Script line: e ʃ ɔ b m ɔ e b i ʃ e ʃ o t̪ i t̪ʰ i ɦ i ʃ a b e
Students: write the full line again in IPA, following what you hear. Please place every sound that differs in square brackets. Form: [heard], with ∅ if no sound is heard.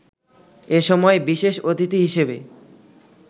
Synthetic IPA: e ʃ ɔ [∅] m ɔ e b i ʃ e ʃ o t̪ i [t̪] i ɦ i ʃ [e] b e